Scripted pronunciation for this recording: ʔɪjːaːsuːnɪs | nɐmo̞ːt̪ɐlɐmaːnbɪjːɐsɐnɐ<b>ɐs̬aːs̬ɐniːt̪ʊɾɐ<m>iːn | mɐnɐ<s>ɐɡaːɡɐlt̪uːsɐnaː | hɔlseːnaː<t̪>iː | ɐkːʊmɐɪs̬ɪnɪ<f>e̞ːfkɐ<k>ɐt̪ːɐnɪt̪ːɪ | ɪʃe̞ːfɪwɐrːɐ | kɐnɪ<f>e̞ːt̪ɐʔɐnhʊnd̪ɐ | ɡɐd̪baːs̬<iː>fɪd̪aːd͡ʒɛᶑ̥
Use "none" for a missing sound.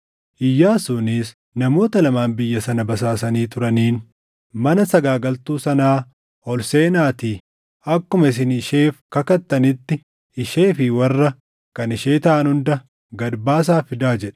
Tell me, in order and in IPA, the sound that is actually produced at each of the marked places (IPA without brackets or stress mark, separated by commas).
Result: b, n, s, t̪, ʃ, k, ʃ, aː